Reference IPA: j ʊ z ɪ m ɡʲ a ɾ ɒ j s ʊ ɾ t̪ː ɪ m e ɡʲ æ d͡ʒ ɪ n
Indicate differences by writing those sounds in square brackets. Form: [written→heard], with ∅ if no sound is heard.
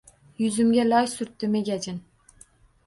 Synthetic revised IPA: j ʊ z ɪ m ɡʲ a [ɾ→l] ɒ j s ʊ ɾ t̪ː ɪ m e ɡʲ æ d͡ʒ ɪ n

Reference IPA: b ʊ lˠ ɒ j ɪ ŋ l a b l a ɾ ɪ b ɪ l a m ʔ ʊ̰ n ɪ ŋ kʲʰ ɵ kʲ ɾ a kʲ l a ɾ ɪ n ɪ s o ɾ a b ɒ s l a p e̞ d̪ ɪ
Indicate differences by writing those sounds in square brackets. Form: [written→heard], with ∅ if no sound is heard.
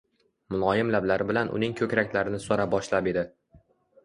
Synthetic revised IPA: [b→m] ʊ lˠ ɒ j ɪ [ŋ→m] l a b l a ɾ ɪ b ɪ l a [m→n] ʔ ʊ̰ n ɪ ŋ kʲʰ ɵ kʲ ɾ a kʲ l a ɾ ɪ n ɪ s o ɾ a b ɒ [s→ʃ] l a p e̞ d̪ ɪ

